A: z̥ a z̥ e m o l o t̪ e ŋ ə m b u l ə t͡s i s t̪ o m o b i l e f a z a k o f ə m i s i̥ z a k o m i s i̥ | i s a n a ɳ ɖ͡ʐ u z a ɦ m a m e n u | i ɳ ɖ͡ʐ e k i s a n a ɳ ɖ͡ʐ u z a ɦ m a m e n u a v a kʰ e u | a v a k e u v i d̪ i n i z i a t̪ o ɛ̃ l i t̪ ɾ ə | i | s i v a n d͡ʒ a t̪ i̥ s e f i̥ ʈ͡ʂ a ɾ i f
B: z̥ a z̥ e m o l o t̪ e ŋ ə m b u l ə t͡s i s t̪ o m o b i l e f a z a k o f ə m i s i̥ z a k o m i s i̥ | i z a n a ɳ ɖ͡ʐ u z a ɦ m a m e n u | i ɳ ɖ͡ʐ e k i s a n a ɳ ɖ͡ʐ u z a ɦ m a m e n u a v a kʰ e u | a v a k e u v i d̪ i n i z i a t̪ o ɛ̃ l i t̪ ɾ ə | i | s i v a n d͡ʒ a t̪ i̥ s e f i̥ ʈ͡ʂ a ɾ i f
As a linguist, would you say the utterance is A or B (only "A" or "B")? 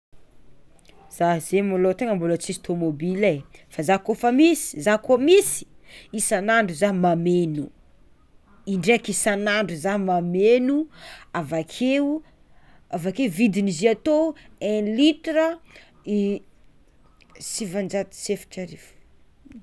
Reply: A